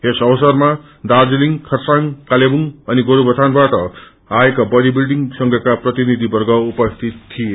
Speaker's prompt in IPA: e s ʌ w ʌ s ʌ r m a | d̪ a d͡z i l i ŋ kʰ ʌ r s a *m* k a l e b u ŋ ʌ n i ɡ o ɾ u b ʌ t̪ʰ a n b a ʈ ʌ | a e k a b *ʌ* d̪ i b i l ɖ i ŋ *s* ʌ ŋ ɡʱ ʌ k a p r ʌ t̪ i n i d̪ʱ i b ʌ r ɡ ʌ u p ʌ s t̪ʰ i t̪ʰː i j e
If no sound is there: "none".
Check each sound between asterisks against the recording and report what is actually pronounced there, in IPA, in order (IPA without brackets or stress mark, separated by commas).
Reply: ŋ, ʌ, s